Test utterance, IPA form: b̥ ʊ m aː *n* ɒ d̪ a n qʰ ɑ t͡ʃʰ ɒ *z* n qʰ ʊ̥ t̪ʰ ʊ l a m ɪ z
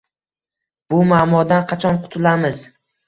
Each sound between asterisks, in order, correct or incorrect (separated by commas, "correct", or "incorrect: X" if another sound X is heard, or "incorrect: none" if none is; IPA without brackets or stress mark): incorrect: m, incorrect: none